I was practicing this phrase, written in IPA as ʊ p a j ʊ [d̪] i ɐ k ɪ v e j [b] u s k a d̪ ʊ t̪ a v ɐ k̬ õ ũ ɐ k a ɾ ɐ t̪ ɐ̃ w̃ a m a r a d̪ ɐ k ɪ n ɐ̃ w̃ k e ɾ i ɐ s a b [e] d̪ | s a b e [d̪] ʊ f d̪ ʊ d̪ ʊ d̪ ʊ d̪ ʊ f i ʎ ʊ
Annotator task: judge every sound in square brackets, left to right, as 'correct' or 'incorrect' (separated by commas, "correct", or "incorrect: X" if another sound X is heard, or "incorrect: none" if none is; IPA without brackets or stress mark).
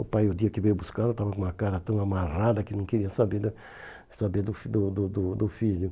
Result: correct, correct, correct, correct